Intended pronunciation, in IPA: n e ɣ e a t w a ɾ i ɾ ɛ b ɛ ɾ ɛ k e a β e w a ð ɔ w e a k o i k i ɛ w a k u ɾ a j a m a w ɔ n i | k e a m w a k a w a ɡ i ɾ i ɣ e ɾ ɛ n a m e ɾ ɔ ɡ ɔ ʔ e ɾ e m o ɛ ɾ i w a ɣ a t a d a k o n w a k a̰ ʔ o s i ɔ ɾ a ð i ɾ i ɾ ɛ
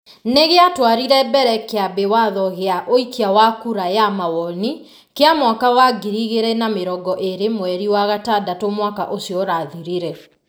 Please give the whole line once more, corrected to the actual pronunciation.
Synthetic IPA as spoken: n e ɣ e a t w a ɾ i ɾ ɛ b ɛ ɾ ɛ k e a b e w a ð ɔ ɣ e a ʔ o i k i a w a k u ɾ a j a m a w ɔ n i | k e a m w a k a w a ɡ i ɾ i ɣ e ɾ ɛ n a m e ɾ ɔ ɡ ɔ ʔ e ɾ e m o ɛ ɾ i w a ɣ a t a d a t o m w a k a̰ ʔ o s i ɔ ɾ a ð i ɾ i ɾ ɛ